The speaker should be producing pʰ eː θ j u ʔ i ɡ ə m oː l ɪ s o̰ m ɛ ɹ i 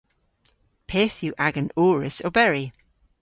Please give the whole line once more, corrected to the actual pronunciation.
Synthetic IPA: pʰ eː θ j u ʔ a ɡ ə n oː ɹ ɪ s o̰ b ɛ ɹ i

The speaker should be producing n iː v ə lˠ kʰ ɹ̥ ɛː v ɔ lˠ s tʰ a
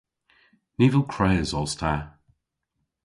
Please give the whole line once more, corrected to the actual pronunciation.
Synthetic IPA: n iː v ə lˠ kʰ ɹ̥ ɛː z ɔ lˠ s tʰ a

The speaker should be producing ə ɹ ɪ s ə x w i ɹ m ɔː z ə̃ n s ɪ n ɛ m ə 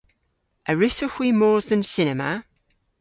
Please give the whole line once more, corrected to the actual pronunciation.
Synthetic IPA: ə ɹ ɪ s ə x w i m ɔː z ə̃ n s ɪ n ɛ m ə

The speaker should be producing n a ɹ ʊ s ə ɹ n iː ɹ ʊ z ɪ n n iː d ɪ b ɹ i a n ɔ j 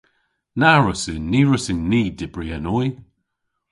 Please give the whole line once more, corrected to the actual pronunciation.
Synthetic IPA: n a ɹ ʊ s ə n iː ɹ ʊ s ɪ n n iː d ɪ b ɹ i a n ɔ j

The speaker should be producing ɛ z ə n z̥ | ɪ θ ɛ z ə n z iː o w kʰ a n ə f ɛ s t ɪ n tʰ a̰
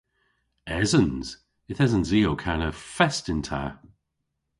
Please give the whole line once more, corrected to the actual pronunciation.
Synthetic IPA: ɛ z ə n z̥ | ɪ θ ɛ z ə n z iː o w kʰ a n ə f ɛ s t ɪ n tʰ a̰

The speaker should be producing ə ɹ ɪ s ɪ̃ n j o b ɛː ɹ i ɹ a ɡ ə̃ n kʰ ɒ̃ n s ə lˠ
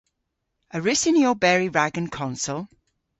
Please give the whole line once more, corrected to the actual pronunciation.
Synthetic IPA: ə ɹ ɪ s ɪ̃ n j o b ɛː ɹ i ɹ a ɡ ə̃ n kʰ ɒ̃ n s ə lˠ

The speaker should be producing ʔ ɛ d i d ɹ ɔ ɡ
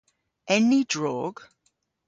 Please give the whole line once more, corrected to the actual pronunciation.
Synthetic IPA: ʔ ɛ n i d ɹ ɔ ɡ

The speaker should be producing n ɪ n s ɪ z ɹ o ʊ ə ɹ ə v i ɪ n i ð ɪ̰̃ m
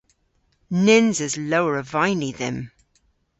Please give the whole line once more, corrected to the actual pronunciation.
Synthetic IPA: n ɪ n z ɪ z l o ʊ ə ɹ ə v a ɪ n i ð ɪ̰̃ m

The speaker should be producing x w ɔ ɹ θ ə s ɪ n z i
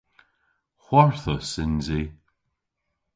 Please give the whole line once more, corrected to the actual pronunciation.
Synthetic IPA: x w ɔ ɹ θ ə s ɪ n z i

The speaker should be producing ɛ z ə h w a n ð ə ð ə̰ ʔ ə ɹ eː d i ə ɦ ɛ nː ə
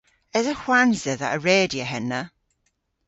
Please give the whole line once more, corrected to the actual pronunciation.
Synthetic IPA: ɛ z ə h w a n z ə ð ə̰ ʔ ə ɹ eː d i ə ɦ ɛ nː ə

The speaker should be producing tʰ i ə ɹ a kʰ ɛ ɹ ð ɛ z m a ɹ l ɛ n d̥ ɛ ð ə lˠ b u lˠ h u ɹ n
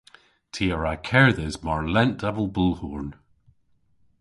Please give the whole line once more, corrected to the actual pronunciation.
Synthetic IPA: tʰ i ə ɹ a kʰ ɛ ɹ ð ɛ z m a ɹ l ɛ n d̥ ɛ v ə lˠ b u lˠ h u ɹ n

